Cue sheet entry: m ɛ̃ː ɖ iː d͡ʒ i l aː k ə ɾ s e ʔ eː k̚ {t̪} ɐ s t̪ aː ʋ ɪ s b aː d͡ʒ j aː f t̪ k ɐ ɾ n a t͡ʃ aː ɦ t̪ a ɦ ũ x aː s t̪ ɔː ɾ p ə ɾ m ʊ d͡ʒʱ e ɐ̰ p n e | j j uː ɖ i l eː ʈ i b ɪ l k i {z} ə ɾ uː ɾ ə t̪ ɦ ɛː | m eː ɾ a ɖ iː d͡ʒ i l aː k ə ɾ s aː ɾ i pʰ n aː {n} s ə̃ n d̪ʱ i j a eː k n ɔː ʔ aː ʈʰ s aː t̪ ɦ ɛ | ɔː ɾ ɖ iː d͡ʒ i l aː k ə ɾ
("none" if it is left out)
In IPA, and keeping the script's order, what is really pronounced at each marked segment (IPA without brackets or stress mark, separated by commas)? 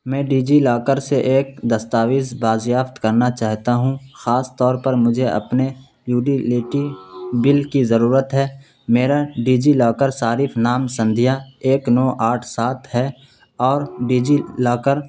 d̪, z, m